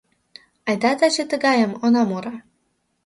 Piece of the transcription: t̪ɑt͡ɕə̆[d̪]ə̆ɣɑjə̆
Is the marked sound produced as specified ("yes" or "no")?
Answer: no